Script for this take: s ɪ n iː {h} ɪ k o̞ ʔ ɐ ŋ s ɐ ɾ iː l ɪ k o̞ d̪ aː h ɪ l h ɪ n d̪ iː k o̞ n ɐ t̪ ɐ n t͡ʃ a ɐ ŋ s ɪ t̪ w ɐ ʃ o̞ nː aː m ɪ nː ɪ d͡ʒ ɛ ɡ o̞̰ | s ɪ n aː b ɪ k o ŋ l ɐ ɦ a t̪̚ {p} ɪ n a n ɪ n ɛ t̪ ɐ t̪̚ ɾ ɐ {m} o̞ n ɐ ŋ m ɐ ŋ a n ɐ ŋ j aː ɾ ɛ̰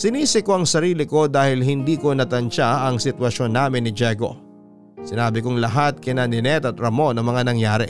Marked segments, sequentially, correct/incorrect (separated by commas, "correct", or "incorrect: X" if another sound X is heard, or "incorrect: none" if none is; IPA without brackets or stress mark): incorrect: s, incorrect: k, correct